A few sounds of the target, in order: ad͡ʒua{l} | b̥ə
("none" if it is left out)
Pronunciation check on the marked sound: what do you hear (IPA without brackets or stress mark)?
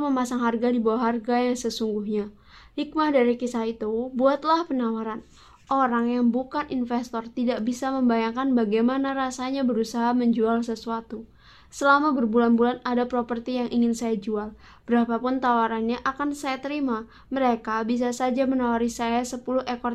l